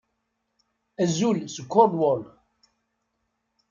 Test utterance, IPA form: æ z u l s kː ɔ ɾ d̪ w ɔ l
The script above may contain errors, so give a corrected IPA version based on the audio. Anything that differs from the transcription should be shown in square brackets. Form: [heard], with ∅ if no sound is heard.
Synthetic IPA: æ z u l s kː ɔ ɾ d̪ w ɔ l